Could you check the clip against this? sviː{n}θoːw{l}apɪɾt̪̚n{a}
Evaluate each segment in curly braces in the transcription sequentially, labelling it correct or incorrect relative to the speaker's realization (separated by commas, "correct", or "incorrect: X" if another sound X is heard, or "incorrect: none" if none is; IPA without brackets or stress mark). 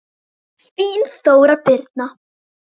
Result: correct, incorrect: ɾ, correct